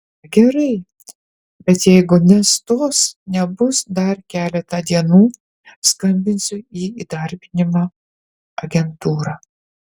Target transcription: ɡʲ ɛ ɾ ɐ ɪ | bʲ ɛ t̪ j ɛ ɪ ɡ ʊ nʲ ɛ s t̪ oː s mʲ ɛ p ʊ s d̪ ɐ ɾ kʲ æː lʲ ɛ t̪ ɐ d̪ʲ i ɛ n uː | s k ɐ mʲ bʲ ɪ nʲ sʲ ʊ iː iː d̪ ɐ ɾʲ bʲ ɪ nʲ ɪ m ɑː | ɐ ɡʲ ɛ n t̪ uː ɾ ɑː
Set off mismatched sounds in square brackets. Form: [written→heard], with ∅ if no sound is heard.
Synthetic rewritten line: ɡʲ ɛ ɾ ɐ ɪ | bʲ ɛ t̪ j ɛ ɪ ɡ ʊ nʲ ɛ s t̪ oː s [mʲ→nʲ] ɛ [p→b] ʊ s d̪ ɐ ɾ kʲ æː lʲ ɛ t̪ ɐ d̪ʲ i ɛ n uː | s k ɐ mʲ bʲ ɪ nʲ sʲ ʊ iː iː d̪ ɐ ɾʲ bʲ ɪ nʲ ɪ m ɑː | ɐ ɡʲ ɛ n t̪ uː ɾ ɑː